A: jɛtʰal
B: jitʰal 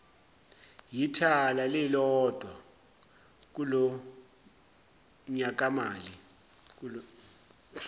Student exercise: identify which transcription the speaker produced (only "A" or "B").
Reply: B